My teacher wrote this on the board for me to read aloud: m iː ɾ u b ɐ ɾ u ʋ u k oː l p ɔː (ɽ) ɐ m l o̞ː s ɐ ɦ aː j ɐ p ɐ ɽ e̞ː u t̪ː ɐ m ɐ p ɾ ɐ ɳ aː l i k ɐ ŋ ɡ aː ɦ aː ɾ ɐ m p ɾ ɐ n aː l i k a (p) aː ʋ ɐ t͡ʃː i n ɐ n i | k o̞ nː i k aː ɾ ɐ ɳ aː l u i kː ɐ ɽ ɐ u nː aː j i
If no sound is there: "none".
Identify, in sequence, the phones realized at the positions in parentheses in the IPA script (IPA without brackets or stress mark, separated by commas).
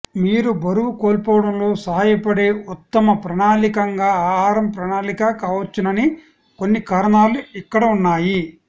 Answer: ɽ, k